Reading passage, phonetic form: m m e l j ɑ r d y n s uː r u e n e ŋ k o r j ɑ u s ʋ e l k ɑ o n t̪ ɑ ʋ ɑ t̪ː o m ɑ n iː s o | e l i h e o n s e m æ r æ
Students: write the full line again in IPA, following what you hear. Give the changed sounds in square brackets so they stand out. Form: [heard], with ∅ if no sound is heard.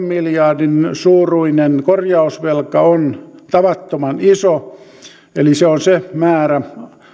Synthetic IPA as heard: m m [i] l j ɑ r d [i] n s uː r u [i] n e [n] k o r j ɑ u s ʋ e l k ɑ o n t̪ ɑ ʋ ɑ t̪ː o m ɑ n [i] s o | e l i [s] e o n s e m [æː] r æ